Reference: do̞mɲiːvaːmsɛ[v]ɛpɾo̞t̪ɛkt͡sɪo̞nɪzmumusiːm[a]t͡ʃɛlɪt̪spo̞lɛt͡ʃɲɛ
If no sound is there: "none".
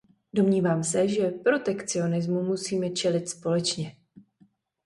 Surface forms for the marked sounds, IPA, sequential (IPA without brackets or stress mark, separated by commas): ʒ, ɛ